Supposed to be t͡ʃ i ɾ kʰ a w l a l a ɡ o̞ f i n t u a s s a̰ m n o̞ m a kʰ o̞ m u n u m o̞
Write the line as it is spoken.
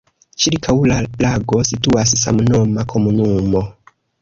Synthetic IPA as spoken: t͡ʃ i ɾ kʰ a w l a l a ɡ o̞ s i t u a s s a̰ m n o̞ m a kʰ o̞ m u n u m o̞